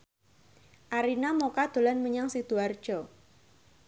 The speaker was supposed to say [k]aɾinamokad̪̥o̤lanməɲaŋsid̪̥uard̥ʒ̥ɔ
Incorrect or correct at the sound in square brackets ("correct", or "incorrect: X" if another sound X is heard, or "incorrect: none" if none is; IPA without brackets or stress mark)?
incorrect: ʔ